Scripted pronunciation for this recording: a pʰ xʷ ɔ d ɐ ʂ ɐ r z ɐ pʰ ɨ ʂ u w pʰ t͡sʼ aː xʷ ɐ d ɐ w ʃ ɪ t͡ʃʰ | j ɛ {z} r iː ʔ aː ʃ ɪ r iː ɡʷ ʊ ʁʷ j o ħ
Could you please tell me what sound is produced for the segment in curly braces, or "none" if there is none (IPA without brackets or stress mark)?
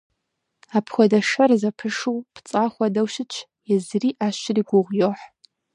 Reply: z